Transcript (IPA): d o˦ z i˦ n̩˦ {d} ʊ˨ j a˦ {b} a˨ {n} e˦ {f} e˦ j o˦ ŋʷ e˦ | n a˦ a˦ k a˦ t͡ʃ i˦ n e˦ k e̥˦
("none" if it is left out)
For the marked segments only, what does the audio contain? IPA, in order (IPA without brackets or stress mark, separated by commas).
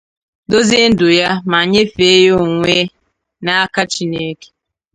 d, m, ɲ, f